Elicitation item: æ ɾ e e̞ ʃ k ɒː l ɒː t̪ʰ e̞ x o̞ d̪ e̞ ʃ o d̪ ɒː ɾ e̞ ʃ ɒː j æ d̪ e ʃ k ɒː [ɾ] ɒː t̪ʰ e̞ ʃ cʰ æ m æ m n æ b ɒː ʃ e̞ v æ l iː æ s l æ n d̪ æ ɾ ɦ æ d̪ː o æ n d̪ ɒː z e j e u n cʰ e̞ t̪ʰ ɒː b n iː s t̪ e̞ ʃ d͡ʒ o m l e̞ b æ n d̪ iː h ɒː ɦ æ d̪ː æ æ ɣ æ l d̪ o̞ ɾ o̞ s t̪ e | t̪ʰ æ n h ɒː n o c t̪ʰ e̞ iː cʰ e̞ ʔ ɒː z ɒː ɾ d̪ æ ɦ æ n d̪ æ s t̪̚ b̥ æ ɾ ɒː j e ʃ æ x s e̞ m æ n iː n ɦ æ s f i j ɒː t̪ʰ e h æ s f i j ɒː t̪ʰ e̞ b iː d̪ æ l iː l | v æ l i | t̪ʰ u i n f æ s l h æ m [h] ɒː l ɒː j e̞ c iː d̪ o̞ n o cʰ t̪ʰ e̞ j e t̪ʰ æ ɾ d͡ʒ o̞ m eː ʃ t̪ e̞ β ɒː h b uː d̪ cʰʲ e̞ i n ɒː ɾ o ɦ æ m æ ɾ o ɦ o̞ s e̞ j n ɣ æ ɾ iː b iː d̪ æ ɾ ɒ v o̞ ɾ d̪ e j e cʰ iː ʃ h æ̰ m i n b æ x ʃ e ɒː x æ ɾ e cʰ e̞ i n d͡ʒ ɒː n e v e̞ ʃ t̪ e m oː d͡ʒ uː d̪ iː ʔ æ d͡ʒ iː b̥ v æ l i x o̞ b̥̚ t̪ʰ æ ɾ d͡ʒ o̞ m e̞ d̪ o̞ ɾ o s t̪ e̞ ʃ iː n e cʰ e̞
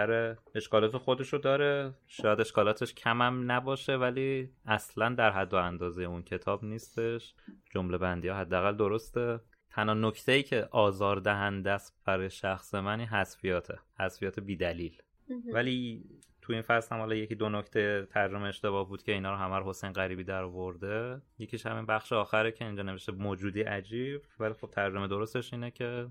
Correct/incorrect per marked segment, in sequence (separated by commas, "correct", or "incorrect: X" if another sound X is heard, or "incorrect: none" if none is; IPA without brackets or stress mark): incorrect: l, correct